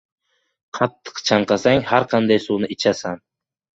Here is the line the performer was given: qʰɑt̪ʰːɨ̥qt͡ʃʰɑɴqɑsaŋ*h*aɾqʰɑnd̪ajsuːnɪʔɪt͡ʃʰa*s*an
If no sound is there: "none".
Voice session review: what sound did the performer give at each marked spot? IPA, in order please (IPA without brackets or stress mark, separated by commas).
h, s